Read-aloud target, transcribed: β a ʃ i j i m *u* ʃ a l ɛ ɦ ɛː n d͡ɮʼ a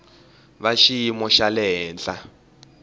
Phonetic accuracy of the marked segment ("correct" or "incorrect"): incorrect